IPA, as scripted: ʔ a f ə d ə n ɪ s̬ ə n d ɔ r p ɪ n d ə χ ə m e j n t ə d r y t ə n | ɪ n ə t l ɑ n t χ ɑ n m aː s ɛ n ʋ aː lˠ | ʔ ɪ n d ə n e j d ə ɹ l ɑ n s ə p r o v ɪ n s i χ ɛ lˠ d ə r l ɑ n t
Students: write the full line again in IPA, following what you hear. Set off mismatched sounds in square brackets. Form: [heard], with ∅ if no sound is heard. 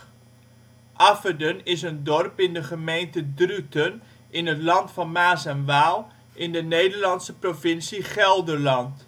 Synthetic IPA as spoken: ʔ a f ə d ə n ɪ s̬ ə n d ɔ r p ɪ n d ə χ ə m e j n t ə d r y t ə n | ɪ n ə t l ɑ n t [f] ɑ n m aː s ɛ n ʋ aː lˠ | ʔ ɪ n d ə n e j d ə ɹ l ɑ n s ə p r o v ɪ n s i χ ɛ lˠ d ə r l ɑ n t